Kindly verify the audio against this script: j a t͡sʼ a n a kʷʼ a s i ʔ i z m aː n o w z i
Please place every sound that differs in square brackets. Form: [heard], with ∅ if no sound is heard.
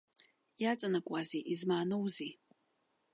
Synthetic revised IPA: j a t͡sʼ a n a kʷʼ a [z] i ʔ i z m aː n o w z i